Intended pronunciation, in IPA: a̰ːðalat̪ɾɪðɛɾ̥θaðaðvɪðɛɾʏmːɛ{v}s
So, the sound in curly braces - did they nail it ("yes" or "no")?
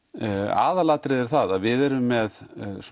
no